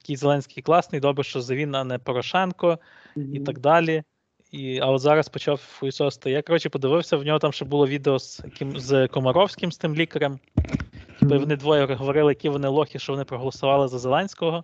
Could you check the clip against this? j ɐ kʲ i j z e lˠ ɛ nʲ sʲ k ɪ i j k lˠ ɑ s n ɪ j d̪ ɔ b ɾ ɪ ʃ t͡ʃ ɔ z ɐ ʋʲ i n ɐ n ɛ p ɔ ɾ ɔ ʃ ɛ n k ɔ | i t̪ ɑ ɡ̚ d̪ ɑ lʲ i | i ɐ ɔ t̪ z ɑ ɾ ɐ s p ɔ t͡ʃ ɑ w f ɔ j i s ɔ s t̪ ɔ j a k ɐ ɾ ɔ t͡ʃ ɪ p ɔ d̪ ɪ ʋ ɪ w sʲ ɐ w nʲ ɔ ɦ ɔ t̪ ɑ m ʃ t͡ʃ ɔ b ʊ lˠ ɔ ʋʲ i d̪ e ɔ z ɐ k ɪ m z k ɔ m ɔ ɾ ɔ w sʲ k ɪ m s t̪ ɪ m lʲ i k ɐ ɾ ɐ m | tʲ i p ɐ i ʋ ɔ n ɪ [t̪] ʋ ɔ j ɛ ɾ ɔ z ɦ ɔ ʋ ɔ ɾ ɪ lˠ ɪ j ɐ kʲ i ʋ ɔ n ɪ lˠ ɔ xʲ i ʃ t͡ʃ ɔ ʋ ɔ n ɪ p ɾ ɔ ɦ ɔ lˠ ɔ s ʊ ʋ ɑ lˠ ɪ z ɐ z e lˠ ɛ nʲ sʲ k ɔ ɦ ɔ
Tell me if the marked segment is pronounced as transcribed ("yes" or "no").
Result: no